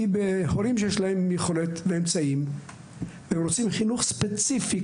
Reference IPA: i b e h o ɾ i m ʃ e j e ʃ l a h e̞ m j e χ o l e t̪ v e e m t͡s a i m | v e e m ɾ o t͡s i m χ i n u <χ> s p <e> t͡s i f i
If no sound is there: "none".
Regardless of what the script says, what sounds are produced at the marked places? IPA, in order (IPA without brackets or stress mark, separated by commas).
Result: χ, e